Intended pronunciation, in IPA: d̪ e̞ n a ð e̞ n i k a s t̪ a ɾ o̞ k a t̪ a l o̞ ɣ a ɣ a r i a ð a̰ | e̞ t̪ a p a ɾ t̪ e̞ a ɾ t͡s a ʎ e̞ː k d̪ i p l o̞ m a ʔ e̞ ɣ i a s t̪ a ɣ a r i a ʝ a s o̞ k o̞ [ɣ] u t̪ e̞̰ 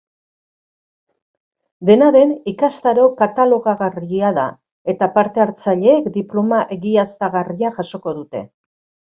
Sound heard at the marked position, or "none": ð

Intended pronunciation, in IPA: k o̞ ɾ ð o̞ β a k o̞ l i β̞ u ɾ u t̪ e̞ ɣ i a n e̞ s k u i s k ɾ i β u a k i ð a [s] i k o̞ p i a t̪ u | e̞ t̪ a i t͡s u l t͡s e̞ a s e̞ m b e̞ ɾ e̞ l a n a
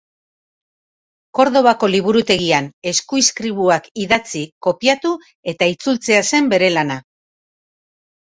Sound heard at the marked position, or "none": t͡s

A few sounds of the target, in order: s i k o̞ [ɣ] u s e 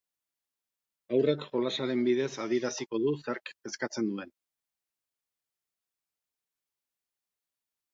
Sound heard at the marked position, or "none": ð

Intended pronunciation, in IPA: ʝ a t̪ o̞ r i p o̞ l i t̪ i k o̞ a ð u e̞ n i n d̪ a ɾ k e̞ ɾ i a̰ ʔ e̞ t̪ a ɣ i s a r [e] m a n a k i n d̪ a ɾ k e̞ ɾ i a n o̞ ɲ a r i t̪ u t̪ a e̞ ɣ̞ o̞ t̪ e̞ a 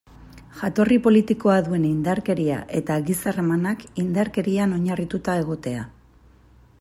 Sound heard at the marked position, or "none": e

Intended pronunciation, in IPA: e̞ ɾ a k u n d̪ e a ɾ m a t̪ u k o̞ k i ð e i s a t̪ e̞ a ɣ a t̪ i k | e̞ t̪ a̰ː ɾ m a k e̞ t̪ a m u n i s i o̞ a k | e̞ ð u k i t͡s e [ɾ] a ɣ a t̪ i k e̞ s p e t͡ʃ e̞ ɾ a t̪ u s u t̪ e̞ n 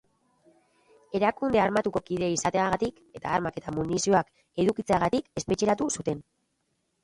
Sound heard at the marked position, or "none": none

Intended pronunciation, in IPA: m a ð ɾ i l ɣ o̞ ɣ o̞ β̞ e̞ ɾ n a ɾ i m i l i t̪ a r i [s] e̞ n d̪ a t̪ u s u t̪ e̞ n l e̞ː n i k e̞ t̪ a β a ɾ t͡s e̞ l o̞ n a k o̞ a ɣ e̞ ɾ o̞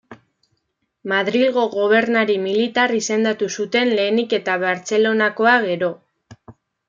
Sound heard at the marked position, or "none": s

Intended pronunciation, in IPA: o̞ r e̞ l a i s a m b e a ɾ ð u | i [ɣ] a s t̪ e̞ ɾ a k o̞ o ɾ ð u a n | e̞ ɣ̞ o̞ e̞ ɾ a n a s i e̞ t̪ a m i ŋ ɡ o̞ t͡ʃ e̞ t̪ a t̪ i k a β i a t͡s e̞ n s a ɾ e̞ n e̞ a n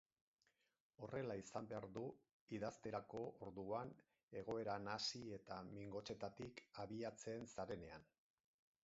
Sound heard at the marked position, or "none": ð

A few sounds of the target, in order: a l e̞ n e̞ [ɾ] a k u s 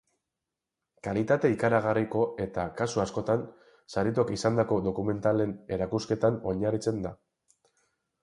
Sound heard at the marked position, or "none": ɾ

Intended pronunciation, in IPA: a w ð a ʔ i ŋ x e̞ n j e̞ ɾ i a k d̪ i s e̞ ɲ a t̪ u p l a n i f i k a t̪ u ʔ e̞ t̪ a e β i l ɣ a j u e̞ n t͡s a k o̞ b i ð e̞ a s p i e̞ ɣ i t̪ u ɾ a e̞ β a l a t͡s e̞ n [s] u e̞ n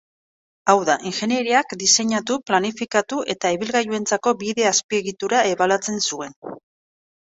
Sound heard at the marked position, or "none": s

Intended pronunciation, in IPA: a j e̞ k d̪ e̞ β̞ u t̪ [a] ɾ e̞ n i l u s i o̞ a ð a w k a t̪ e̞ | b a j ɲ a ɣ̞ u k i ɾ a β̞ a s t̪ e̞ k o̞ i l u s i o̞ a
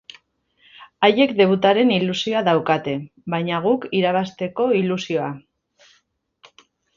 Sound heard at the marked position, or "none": a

